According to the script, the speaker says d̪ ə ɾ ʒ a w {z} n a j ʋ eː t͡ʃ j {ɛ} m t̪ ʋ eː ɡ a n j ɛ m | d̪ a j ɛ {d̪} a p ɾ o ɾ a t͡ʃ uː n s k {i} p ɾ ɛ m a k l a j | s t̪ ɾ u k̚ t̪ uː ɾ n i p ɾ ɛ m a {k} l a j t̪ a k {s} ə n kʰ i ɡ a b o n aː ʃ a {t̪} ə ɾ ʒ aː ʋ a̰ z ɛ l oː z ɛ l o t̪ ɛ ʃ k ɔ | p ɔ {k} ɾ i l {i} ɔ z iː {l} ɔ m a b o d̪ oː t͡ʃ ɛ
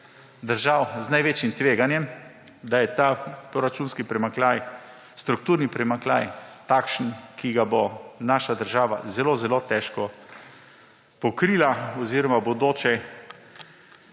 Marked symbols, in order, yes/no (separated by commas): yes, no, no, yes, yes, no, no, yes, no, no